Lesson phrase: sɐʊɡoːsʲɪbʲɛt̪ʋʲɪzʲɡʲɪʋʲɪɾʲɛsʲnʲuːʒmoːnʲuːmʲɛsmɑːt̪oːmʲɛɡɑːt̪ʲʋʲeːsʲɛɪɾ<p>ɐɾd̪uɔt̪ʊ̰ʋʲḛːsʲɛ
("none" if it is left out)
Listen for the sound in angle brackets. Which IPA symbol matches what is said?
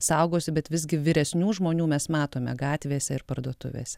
p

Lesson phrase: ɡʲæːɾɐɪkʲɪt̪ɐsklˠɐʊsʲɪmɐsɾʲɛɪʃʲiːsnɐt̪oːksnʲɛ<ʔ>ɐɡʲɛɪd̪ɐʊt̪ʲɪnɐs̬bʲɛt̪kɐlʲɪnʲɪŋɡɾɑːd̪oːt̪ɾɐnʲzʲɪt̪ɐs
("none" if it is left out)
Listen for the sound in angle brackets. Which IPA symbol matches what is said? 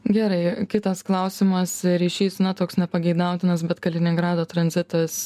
p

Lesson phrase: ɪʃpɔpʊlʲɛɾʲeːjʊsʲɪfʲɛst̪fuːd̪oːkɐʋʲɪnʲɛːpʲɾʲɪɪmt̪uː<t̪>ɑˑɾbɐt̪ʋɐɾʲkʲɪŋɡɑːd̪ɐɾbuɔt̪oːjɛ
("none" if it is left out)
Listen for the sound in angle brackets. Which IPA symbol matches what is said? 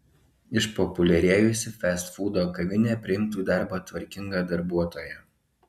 d̪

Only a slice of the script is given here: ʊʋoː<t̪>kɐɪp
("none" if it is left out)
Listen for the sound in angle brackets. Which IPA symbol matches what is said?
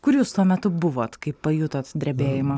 t̪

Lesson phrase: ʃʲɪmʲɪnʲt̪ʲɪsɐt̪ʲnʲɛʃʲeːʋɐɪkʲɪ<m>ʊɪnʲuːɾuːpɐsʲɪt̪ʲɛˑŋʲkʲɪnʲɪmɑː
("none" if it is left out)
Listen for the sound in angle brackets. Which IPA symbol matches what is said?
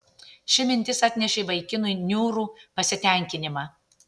n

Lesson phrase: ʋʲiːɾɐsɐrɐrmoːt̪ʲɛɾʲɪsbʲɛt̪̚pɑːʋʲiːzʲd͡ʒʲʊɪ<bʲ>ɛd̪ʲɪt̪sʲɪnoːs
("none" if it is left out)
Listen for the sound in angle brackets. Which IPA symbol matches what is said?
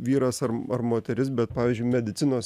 mʲ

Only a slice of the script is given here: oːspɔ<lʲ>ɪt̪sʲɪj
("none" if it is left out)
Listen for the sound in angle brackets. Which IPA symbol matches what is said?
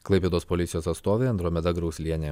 lʲ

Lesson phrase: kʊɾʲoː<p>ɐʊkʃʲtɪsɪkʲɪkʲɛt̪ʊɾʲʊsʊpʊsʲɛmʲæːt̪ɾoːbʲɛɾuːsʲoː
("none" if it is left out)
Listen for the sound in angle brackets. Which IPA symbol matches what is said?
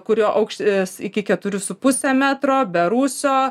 ʔ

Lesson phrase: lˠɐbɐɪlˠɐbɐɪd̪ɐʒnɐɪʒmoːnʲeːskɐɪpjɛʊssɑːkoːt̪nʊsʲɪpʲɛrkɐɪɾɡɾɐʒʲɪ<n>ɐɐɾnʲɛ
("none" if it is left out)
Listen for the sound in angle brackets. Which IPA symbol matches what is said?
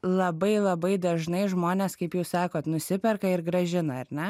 n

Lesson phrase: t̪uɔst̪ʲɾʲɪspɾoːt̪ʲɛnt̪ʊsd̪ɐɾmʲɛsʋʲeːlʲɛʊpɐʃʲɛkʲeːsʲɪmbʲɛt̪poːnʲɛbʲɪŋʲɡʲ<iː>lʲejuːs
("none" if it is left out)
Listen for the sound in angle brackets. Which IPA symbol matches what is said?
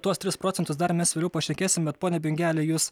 æː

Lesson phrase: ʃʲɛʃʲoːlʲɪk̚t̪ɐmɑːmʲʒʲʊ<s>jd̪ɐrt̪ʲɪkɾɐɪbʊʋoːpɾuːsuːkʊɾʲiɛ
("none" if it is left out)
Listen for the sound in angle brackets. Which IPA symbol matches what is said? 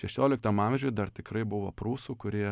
none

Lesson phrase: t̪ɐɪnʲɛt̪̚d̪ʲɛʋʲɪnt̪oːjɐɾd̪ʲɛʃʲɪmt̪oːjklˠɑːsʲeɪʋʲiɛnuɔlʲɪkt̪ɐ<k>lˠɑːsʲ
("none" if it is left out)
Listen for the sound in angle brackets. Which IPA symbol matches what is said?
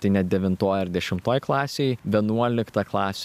k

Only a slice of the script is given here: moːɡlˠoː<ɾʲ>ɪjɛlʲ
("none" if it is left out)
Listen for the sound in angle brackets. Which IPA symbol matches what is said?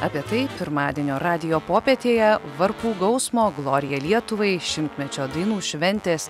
ɾʲ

